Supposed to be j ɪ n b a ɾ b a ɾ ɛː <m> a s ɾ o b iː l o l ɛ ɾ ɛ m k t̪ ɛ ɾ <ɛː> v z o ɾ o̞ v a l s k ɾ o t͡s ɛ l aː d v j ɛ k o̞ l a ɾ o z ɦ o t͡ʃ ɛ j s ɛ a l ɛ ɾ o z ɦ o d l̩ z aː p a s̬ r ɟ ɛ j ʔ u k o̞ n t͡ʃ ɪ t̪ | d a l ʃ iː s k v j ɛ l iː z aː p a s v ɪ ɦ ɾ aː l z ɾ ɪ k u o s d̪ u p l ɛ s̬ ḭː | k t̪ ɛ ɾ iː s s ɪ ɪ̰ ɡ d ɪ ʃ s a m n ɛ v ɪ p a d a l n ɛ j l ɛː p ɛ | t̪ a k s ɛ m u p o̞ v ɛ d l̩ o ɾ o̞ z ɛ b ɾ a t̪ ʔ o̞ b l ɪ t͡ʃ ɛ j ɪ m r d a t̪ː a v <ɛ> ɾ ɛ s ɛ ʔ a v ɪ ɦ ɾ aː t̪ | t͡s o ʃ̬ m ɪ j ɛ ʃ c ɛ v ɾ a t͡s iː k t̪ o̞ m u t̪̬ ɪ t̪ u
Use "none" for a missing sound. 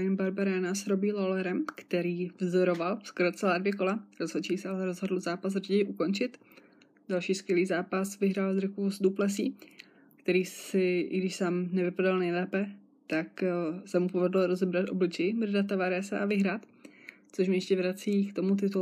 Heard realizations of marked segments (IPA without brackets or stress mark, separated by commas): n, iː, a